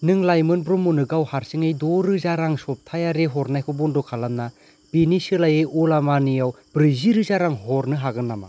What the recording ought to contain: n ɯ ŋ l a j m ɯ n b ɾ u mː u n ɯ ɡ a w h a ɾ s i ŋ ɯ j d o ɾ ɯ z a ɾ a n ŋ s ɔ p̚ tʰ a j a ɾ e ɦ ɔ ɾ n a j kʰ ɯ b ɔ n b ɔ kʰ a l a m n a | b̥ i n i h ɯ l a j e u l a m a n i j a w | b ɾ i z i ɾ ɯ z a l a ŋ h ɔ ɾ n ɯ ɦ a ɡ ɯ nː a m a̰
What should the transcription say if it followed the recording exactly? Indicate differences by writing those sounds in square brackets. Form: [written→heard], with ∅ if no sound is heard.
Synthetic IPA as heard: n ɯ ŋ l a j m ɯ n b ɾ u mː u n ɯ ɡ a w h a ɾ s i ŋ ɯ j d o ɾ ɯ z a ɾ a [n→∅] ŋ s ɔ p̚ tʰ a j a ɾ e ɦ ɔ ɾ n a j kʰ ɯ b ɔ n [b→d] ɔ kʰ a l a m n a | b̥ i n i [h→s] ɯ l a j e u l a m a n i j a w | b ɾ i z i ɾ ɯ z a [l→ɾ] a ŋ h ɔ ɾ n ɯ ɦ a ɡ ɯ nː a m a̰